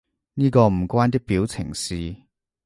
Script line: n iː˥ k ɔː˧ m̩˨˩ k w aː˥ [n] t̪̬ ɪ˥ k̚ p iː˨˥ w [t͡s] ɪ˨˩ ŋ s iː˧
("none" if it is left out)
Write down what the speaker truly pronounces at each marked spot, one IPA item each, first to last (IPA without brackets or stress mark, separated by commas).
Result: n, t͡sʰ